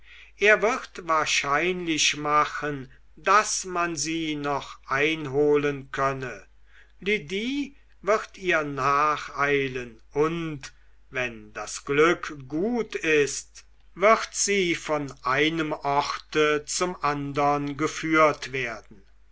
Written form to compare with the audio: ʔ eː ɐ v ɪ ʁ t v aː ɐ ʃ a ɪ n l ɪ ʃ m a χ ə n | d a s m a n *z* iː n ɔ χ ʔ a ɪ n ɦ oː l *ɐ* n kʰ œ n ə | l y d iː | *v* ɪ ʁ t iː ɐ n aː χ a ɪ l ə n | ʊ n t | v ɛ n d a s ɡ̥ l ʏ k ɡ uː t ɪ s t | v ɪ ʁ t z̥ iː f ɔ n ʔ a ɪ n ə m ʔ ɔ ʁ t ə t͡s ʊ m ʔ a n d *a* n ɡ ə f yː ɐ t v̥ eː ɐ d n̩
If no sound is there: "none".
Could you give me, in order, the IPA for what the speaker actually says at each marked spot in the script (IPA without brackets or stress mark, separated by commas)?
z, ə, v, ɐ